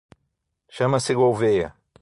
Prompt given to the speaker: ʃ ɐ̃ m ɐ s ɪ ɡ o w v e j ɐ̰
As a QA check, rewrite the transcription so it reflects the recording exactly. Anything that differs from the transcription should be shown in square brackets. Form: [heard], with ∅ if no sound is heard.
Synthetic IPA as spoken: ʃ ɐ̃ m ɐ s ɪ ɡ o w v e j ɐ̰